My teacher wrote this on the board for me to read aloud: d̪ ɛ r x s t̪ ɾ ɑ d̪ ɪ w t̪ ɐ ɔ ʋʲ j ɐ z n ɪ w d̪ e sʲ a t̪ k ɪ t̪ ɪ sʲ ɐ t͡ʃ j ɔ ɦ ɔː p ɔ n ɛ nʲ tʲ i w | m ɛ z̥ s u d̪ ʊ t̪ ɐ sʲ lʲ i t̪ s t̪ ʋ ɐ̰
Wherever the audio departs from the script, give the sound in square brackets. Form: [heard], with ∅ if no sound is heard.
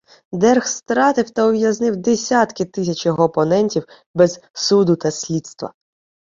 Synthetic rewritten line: d̪ ɛ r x s t̪ ɾ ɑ [t̪] ɪ w t̪ ɐ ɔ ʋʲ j ɐ z n ɪ w d̪ e sʲ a t̪ k ɪ t̪ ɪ sʲ ɐ t͡ʃ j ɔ ɦ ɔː p ɔ n ɛ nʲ tʲ i w | [b] ɛ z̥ s u d̪ ʊ t̪ ɐ sʲ lʲ i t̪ s t̪ ʋ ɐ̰